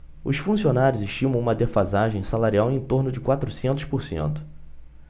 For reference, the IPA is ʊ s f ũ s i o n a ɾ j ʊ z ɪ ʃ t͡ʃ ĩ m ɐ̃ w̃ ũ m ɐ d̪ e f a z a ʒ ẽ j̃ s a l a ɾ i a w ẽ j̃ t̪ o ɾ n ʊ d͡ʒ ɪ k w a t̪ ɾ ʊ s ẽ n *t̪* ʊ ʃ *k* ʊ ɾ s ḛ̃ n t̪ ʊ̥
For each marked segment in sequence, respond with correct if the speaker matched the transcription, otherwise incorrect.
correct, incorrect: p

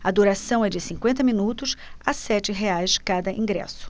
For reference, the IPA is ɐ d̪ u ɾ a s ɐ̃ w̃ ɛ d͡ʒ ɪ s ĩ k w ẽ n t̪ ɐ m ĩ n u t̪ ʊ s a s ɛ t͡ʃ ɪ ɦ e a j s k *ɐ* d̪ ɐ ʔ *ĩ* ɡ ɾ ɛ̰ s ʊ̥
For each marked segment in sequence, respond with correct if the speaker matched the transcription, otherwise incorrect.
incorrect: a, correct

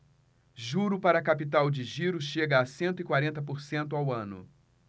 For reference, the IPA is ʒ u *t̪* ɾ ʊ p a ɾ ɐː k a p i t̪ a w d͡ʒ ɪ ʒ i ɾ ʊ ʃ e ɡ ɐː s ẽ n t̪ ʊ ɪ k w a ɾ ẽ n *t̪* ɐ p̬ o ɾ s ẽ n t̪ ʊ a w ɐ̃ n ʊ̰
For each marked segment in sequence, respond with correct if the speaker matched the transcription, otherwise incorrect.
incorrect: none, correct

